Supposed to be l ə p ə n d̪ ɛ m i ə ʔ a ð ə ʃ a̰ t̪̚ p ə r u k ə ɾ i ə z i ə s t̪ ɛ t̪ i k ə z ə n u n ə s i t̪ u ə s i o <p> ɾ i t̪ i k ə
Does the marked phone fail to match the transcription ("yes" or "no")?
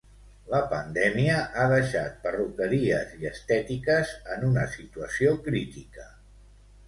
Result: yes